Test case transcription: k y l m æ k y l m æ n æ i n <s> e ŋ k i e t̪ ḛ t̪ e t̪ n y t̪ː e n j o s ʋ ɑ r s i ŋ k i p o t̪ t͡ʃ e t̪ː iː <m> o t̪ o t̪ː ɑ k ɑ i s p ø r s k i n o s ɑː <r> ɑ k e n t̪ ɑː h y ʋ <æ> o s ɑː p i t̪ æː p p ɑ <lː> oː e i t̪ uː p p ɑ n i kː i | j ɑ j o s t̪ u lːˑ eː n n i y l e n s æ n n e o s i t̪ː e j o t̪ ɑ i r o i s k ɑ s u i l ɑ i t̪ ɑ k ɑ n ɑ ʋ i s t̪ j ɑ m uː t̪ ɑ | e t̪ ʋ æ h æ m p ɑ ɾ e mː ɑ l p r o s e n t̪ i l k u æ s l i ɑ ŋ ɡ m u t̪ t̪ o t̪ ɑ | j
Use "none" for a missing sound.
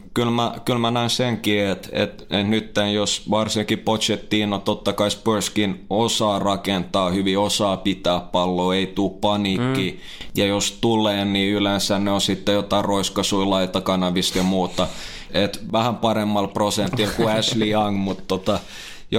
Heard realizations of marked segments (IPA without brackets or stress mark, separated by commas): s, n, r, i, lː